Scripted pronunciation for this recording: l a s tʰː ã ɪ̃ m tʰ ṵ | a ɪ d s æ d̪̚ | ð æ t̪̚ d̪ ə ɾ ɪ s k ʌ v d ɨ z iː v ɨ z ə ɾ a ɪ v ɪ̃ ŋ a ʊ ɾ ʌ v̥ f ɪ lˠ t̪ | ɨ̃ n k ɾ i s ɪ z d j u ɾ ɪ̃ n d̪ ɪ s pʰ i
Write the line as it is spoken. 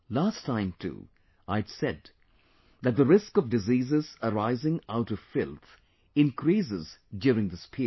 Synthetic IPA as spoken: l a s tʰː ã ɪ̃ m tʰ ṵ | a ɪ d s ɛ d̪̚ | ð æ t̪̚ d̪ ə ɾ ɪ s k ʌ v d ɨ z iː z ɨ z ə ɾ a ɪ z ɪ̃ ŋ a ʊ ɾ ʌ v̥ f ɪ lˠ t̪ | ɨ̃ n k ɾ i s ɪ z d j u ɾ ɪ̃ ŋ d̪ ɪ s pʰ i